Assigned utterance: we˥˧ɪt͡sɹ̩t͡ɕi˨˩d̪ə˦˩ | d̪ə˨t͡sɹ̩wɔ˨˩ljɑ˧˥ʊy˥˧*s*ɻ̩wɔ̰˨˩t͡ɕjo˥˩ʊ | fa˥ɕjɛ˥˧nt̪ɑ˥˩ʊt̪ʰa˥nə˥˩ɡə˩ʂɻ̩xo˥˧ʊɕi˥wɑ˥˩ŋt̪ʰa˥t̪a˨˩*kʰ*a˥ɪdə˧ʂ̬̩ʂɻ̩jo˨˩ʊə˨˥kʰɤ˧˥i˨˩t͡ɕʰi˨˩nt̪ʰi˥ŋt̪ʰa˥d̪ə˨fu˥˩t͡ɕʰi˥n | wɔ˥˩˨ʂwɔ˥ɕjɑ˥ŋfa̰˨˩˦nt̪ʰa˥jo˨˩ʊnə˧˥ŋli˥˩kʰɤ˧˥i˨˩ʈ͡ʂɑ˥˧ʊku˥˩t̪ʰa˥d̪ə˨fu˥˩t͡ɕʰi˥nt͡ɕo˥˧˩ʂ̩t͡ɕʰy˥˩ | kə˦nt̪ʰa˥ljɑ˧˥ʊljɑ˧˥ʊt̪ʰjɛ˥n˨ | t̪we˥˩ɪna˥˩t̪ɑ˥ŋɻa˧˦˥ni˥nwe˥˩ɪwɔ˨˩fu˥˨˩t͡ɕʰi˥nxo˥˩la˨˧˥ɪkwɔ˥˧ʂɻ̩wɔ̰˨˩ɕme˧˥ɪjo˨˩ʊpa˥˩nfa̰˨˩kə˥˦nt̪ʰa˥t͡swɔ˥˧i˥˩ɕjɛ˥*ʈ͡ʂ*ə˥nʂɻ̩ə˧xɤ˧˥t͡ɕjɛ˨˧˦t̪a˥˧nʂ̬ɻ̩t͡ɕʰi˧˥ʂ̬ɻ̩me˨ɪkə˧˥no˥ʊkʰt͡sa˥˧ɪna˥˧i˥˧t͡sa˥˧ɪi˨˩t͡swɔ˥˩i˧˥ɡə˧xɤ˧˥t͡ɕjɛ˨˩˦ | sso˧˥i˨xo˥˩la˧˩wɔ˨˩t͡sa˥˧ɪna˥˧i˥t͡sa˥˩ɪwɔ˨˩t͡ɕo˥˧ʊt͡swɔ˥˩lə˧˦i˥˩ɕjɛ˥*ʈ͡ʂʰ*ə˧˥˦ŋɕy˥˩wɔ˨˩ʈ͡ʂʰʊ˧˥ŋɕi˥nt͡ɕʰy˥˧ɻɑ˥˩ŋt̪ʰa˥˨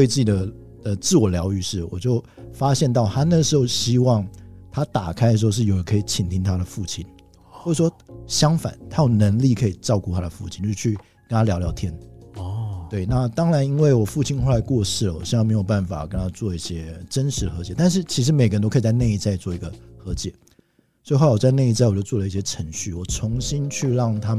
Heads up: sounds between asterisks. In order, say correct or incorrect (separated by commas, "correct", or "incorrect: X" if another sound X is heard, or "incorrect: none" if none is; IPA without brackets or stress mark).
incorrect: ʂ, correct, correct, correct